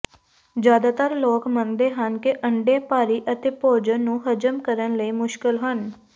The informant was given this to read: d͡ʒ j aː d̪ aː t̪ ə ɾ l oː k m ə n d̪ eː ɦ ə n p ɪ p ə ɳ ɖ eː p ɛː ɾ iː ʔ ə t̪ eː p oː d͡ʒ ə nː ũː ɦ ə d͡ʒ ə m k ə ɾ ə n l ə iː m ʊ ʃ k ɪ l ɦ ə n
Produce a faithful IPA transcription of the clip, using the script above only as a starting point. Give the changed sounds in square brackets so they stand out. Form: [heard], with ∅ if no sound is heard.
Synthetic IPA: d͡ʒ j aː d̪ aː t̪ ə ɾ l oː k m ə n d̪ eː ɦ ə n [k] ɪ [ʔ] ə ɳ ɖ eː p [aː] ɾ iː ʔ ə t̪ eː p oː d͡ʒ ə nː ũː ɦ ə d͡ʒ ə m k ə ɾ ə n l ə iː m ʊ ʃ k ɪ l ɦ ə n